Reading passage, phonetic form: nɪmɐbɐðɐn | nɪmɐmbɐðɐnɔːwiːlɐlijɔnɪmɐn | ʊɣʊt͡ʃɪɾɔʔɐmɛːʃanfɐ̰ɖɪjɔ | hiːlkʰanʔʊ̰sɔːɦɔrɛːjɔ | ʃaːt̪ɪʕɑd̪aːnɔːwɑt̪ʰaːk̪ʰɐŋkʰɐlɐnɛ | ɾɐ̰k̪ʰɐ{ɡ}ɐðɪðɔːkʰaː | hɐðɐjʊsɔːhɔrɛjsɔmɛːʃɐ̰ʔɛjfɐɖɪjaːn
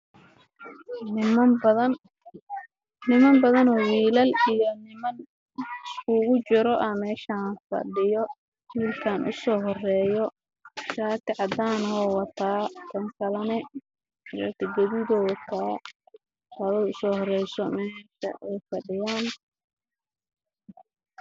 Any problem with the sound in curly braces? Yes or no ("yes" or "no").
no